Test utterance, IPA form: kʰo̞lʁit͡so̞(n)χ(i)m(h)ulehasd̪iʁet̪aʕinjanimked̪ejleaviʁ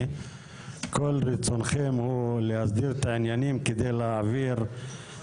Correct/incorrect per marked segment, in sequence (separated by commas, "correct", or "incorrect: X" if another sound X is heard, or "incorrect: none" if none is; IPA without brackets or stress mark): correct, incorrect: e, correct